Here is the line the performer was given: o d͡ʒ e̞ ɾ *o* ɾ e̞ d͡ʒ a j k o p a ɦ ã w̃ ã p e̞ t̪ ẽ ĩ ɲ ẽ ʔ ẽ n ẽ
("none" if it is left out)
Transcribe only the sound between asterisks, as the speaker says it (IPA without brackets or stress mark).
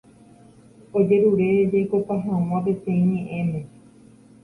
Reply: u